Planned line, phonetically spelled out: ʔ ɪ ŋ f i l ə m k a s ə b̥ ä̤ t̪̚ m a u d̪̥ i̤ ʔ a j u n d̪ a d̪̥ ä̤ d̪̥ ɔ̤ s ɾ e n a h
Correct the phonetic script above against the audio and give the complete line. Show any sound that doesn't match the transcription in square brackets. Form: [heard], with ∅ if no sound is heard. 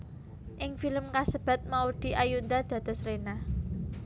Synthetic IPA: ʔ ɪ ŋ f i l ə m k a s ə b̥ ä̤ t̪̚ m a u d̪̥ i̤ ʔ a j u n d̪ a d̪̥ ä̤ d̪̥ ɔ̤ s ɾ e n a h